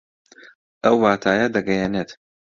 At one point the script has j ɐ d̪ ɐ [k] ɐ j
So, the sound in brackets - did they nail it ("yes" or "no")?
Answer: no